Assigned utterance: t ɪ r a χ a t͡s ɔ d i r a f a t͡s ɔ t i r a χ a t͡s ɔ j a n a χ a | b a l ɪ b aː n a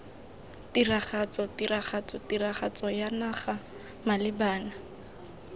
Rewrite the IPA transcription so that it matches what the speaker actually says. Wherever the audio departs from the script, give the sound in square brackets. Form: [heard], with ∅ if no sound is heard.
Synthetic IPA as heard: t [i] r a χ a t͡s ɔ [t] i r a [χ] a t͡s ɔ t i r a χ a t͡s ɔ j a n a χ a | [m] a l ɪ b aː n a